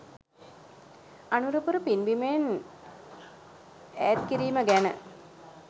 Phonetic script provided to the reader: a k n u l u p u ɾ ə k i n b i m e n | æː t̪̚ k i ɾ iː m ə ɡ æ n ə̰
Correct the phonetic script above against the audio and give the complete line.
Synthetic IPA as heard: a n u ɾ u p u ɾ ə p i n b i m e n | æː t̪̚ k i ɾ iː m ə ɡ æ n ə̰